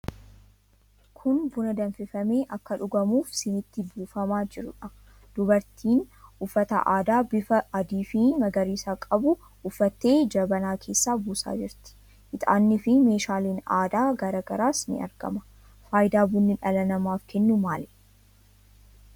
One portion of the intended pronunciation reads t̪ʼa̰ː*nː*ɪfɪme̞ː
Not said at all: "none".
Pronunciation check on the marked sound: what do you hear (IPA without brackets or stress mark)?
nː